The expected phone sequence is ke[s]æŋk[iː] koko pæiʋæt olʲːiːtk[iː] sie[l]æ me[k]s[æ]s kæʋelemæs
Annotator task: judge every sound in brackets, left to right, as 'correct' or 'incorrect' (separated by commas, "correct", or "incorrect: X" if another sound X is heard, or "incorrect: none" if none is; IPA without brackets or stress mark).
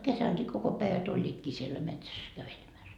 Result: correct, correct, correct, incorrect: lː, incorrect: t, correct